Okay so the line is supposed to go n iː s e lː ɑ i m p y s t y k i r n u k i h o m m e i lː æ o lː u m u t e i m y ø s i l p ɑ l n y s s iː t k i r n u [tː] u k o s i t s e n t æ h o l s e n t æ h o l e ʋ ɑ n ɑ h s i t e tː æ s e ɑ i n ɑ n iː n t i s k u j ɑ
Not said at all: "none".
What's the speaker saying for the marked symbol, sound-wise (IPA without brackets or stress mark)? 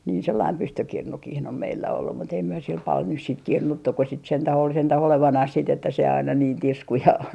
tː